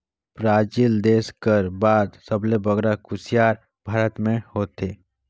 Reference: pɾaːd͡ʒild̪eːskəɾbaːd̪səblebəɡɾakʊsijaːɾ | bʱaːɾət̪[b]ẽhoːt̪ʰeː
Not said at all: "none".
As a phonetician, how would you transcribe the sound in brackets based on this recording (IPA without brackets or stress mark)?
m